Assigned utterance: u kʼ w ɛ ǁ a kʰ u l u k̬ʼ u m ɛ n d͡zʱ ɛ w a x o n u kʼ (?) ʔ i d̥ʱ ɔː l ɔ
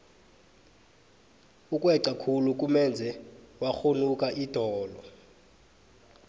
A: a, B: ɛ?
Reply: A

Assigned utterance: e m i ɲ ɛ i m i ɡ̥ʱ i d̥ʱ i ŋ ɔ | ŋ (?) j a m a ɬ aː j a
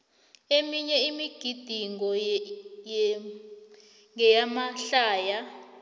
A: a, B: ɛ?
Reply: B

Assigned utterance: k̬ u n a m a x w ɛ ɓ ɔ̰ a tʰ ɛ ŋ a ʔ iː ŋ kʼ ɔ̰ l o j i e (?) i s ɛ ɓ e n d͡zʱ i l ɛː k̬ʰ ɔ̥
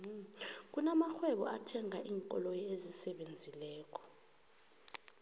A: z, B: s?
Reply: A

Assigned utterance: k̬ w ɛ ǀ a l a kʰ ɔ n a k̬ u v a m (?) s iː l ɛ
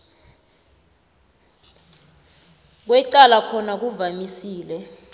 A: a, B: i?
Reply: B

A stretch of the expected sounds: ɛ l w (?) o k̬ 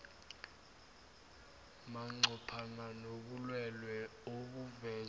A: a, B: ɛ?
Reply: B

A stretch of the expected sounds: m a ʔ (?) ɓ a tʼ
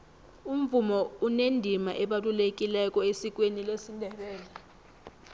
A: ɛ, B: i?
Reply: A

